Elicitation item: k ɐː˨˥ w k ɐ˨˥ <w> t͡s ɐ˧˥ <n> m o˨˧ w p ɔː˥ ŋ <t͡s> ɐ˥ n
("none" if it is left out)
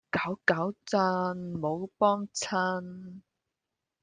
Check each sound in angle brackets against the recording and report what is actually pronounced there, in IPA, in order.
w, n, t͡sʰ

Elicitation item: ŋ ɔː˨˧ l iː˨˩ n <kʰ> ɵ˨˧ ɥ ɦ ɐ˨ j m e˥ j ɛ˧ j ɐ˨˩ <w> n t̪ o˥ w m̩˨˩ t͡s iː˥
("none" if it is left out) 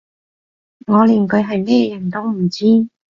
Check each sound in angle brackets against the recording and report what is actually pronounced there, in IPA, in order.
k, none

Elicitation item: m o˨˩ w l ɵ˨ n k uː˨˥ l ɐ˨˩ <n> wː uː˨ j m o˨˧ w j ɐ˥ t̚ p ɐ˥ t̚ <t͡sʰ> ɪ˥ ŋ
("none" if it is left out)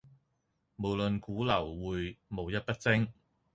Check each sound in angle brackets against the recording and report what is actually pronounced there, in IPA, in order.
none, t͡s

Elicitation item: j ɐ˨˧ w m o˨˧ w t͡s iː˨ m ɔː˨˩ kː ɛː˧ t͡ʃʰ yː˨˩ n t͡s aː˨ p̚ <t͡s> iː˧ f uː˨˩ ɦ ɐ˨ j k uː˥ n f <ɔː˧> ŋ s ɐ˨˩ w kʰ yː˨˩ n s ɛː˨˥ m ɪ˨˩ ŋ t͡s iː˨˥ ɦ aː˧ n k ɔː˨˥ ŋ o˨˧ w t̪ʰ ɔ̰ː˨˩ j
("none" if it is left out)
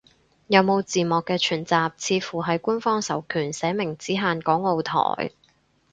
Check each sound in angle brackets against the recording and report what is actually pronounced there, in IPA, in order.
t͡sʰ, ɔː˥

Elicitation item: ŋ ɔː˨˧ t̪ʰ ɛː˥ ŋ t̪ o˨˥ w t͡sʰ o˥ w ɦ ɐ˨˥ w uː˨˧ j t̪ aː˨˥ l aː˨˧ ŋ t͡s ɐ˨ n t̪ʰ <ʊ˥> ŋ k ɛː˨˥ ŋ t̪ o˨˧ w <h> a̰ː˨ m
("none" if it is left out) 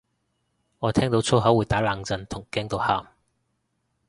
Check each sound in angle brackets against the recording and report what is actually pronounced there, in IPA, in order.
ʊ˨˩, h

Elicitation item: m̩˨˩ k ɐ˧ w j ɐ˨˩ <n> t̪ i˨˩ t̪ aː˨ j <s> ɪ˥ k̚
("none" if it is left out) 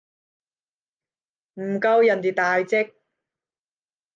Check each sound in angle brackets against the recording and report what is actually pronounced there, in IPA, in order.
n, t͡s

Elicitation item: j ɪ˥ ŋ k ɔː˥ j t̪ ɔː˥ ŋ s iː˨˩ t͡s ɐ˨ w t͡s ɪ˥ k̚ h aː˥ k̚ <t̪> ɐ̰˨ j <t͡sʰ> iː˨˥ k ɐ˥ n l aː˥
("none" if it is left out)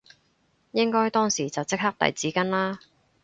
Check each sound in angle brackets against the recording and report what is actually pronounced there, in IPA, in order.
t̪, t͡s

